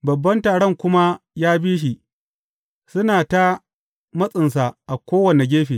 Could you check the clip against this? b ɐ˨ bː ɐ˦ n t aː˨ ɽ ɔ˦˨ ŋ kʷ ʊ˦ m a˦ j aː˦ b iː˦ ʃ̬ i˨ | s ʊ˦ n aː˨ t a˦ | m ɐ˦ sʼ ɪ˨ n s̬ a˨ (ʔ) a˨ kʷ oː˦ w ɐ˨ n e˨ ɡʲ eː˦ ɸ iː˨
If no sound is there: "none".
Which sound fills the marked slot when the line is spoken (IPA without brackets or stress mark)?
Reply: ʔ